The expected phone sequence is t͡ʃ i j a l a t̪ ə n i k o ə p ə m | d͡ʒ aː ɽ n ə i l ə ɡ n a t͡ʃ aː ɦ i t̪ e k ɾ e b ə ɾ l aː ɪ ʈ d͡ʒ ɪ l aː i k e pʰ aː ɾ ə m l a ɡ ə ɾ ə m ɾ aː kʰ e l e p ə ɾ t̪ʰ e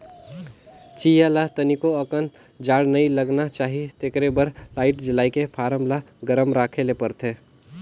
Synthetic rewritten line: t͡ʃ i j a l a t̪ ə n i k o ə k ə n | d͡ʒ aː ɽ n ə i l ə ɡ n a t͡ʃ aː ɦ i t̪ e k ɾ e b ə ɾ l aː ɪ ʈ d͡ʒ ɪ l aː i k e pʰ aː ɾ ə m l a ɡ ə ɾ ə m ɾ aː kʰ e l e p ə ɾ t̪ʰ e

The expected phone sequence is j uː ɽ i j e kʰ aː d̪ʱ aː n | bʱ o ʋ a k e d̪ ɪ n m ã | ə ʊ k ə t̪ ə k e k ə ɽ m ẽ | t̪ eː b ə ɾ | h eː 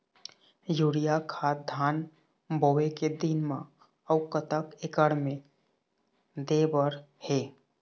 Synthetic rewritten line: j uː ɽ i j a kʰ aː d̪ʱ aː n | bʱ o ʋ e k e d̪ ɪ n m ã | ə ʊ k ə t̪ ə k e k ə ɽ m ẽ | d̪ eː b ə ɾ | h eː

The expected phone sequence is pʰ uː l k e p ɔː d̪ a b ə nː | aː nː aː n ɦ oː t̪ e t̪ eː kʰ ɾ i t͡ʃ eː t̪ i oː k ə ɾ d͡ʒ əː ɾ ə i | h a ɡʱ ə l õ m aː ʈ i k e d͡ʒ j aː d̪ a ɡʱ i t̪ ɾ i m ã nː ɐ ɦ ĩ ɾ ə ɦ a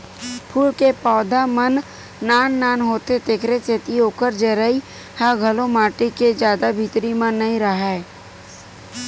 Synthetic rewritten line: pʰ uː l k e p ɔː d̪ a m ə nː | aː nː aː n ɦ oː t̪ e t̪ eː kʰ ɾ e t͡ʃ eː t̪ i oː k ə ɾ d͡ʒ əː ɾ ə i | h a ɡʱ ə l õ m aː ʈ i k e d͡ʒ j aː d̪ a bʱ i t̪ ɾ i m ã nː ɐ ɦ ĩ ɾ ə ɦ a

